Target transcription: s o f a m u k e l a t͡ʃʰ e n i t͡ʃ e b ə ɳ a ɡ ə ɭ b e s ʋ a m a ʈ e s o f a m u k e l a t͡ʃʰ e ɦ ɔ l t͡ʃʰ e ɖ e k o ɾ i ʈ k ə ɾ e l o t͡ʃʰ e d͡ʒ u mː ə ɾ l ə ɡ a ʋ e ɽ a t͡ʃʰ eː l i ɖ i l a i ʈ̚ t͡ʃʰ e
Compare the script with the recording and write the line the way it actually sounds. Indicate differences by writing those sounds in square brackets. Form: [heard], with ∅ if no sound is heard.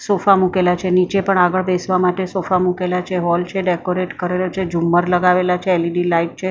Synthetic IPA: s o f a m u k e l a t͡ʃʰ e n i t͡ʃ e [p] ə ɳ a ɡ ə ɭ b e s ʋ a m a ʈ e s o f a m u k e l a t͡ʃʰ e ɦ ɔ l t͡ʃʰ e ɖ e k o ɾ [e] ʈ k ə ɾ e l o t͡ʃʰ e d͡ʒ u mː ə ɾ l ə ɡ a ʋ e [l] a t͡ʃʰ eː l i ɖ i l a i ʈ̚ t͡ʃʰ e